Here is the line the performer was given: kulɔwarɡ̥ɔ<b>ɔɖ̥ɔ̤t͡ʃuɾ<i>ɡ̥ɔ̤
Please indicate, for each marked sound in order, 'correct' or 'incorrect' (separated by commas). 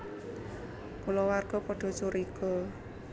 incorrect, correct